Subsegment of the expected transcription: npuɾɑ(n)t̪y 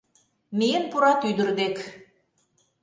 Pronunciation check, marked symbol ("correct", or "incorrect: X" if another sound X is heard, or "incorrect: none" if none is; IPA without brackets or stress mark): incorrect: none